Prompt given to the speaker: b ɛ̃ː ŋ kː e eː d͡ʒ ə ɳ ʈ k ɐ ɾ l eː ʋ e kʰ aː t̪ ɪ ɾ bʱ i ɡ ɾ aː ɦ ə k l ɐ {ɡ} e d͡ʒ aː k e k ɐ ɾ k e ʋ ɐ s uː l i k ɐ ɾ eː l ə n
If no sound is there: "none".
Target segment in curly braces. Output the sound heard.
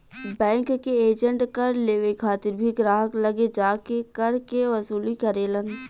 ɡ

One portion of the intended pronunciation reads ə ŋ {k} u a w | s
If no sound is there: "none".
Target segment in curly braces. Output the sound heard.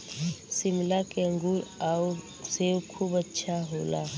ɡ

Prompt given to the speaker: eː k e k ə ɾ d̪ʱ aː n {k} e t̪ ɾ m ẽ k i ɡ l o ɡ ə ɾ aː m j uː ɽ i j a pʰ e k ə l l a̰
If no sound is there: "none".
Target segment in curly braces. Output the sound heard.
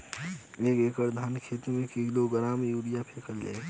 kʰ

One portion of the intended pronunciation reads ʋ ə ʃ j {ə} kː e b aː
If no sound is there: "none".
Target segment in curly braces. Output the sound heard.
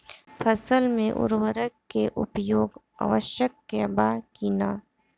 ə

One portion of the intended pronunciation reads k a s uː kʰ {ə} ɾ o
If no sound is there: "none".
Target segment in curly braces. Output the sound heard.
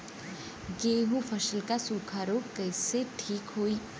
a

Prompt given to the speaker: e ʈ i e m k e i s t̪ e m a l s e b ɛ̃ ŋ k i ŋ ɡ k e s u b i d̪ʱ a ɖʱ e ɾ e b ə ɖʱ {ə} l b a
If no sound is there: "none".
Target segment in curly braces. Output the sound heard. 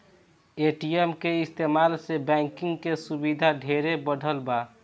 ə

